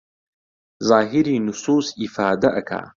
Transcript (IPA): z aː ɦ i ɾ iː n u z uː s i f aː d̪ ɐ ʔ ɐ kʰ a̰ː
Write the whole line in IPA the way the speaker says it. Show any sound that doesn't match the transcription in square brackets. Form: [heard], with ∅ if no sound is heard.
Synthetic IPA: z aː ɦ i ɾ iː n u [s] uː s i f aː d̪ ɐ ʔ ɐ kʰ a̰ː